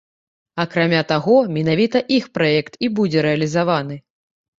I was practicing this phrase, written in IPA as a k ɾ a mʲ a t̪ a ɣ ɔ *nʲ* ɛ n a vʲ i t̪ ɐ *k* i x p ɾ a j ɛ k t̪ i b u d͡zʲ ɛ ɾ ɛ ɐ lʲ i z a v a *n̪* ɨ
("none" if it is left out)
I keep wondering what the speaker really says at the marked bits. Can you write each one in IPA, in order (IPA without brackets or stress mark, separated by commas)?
mʲ, ʔ, n̪